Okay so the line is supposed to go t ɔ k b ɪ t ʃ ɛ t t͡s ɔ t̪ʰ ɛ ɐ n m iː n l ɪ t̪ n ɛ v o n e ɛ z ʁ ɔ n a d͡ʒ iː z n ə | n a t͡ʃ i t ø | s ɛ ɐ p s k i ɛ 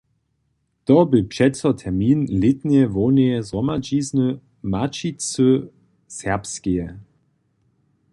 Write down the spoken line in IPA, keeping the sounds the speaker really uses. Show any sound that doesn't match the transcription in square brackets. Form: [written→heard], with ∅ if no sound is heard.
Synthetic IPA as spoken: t ɔ [k→∅] b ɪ [t→p] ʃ ɛ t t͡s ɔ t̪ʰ ɛ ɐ [n→∅] m iː n l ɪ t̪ n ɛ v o n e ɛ z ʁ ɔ [n→m] a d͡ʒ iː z n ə | [n→m] a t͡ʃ i [t→t͡s] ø | s ɛ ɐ p s k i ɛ